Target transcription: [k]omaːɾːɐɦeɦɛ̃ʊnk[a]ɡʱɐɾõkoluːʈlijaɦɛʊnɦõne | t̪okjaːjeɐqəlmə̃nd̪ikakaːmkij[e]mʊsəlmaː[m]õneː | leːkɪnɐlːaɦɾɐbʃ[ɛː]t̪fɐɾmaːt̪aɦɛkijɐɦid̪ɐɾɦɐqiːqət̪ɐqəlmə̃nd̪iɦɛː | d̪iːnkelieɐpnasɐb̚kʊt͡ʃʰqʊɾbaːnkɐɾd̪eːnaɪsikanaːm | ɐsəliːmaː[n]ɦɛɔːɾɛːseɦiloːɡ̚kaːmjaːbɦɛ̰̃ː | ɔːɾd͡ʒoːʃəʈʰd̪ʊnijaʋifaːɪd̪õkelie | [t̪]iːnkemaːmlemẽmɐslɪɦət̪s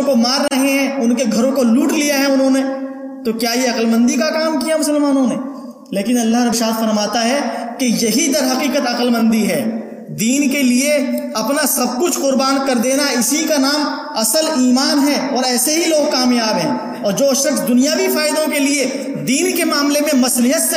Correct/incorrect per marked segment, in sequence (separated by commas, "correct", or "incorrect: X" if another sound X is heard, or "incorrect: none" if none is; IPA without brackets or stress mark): correct, incorrect: e, incorrect: a, incorrect: n, incorrect: aː, correct, incorrect: d̪